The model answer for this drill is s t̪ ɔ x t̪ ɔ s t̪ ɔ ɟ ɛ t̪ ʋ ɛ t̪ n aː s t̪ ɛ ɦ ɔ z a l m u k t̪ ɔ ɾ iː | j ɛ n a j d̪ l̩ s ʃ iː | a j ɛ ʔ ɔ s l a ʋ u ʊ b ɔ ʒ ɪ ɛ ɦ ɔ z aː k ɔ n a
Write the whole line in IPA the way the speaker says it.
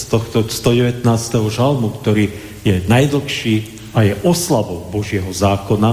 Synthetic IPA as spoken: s t̪ ɔ x t̪ ɔ s t̪ ɔ ɟ ɛ ʋ ɛ t̪ n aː s t̪ ɛ ɦ ɔ ʒ a l m u k t̪ ɔ ɾ iː | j ɛ n a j d̪ l̩ x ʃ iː | a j ɛ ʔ ɔ s l a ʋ ɔ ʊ b ɔ ʒ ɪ ɛ ɦ ɔ z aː k ɔ n a